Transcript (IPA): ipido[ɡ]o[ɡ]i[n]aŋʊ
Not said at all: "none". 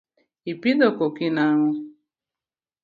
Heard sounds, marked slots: k, k, n

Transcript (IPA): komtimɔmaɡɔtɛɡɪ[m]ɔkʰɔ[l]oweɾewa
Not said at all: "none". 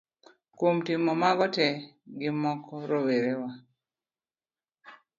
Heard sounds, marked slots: m, ɾ

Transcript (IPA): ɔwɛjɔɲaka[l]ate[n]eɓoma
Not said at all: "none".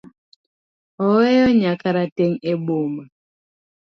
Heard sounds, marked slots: ɾ, ŋ

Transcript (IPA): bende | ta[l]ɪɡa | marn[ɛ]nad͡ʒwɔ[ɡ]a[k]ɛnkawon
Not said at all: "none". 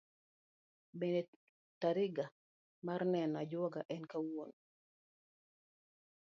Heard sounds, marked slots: ɾ, ɛ, ɡ, ʔ

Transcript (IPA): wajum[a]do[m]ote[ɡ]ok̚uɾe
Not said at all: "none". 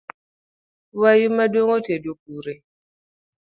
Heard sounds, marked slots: a, ŋ, d

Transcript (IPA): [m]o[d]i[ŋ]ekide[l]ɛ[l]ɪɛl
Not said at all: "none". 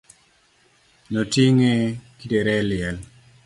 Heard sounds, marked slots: n, t, ŋ, ɾ, l

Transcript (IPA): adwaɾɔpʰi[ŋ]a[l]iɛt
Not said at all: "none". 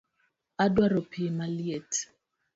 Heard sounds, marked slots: m, l

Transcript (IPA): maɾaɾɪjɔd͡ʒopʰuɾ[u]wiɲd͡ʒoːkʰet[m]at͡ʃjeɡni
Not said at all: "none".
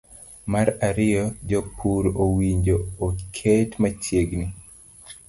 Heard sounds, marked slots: o, m

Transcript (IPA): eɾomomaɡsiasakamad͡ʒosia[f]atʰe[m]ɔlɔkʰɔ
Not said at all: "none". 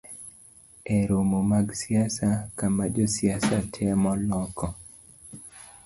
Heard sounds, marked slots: s, m

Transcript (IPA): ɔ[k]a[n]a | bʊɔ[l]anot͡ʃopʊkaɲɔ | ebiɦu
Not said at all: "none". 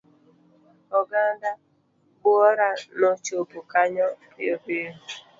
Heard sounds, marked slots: ɡ, d, ɾ

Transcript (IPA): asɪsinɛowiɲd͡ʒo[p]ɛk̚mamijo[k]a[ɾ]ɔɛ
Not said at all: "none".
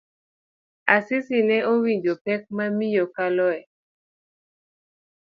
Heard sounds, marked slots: p, k, l

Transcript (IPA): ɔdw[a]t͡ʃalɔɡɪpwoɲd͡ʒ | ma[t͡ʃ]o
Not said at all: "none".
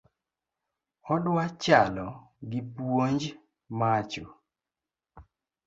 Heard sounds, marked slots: a, t͡ʃ

